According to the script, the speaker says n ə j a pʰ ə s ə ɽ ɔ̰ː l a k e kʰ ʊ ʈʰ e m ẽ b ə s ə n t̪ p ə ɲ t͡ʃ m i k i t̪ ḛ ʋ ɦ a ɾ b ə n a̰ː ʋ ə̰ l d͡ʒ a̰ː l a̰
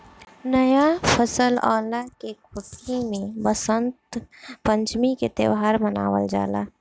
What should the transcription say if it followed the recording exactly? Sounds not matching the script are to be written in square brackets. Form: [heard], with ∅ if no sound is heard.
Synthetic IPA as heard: n ə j a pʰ ə s ə [l] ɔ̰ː l a k e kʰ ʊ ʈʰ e m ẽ b ə s ə n t̪ p ə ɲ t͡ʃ m i k [e] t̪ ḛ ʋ ɦ a ɾ [m] ə n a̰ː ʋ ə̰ l d͡ʒ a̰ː l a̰

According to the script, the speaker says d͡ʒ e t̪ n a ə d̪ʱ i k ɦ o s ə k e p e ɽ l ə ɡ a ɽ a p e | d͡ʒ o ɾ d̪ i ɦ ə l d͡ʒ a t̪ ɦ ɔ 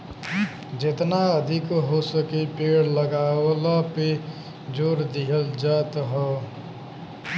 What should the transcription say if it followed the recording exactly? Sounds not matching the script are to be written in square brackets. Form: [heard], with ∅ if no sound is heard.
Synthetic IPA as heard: d͡ʒ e t̪ n a ə d̪ʱ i k ɦ o s ə k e p e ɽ l ə ɡ a [l] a p e | d͡ʒ o ɾ d̪ i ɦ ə l d͡ʒ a t̪ ɦ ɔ

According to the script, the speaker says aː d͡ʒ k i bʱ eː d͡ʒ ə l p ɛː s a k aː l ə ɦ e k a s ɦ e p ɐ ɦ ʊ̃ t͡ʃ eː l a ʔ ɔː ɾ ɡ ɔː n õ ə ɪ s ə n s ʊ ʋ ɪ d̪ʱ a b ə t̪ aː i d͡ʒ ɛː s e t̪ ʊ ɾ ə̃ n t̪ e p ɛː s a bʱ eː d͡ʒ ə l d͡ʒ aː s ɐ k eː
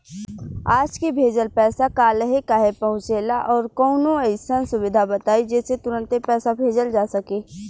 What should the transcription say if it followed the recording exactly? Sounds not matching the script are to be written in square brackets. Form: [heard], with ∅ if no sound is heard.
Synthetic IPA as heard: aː d͡ʒ k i bʱ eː d͡ʒ ə l p ɛː s a k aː l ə ɦ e k a [∅] ɦ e p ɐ ɦ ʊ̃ t͡ʃ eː l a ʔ ɔː ɾ [k] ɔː n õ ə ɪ s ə n s ʊ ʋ ɪ d̪ʱ a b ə t̪ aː i d͡ʒ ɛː s e t̪ ʊ ɾ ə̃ n t̪ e p ɛː s a bʱ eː d͡ʒ ə l d͡ʒ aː s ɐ k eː

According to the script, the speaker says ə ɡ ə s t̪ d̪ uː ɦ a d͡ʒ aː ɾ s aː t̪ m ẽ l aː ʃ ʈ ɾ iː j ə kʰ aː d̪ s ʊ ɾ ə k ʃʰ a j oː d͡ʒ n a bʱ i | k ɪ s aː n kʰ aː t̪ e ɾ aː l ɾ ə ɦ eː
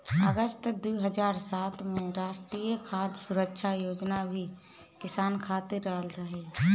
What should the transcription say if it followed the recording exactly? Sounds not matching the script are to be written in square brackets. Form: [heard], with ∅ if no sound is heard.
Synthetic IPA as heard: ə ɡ ə s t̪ d̪ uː ɦ [ə] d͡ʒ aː ɾ s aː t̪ m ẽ [ɾ] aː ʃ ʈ ɾ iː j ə kʰ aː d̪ s ʊ ɾ ə k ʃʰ a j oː d͡ʒ n a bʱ i | k ɪ s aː n kʰ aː t̪ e ɾ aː l ɾ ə ɦ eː

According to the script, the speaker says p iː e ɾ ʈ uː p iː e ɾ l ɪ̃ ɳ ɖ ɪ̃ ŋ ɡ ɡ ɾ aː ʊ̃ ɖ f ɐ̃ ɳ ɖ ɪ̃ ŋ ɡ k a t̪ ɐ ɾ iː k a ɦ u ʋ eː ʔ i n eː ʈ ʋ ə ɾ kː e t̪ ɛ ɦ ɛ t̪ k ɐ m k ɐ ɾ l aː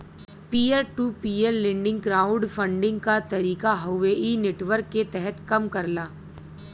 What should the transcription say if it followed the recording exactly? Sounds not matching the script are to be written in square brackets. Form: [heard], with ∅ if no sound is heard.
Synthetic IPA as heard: p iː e ɾ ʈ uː p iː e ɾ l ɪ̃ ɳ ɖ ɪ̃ ŋ ɡ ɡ ɾ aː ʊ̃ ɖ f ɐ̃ ɳ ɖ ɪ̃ ŋ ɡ k a t̪ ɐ ɾ iː k a ɦ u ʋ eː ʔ i n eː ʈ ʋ ə ɾ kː e t̪ ɛ ɦ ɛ t̪ k ɐ m k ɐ ɾ l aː

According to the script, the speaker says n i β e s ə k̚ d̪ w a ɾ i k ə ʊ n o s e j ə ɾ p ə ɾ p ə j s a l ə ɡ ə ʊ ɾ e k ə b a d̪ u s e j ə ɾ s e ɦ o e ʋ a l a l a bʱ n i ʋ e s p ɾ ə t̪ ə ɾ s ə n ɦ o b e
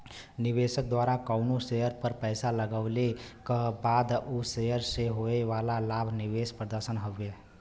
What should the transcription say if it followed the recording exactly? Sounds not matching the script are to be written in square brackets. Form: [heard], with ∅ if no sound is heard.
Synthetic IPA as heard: n i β e s ə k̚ d̪ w a ɾ [a] k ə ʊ n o s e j ə ɾ p ə ɾ p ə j s a l ə ɡ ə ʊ [l] e k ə b a d̪ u s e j ə ɾ s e ɦ o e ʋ a l a l a bʱ n i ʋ e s p ɾ ə [d̪] ə ɾ s ə n ɦ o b e

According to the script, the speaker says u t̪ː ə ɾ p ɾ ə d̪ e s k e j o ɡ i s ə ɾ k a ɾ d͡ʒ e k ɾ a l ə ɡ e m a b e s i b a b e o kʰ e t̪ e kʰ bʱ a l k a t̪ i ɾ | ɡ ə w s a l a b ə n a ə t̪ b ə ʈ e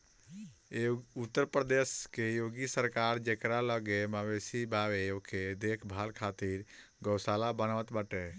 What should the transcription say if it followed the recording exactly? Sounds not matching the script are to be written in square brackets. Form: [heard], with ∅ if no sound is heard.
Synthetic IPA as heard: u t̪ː ə ɾ p ɾ ə d̪ e s k e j o ɡ i s ə ɾ k a ɾ d͡ʒ e k ɾ a l ə ɡ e m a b e s i b a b e o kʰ e [d̪] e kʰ bʱ a l [kʰ] a t̪ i ɾ | ɡ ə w s a l a b ə n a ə t̪ b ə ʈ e

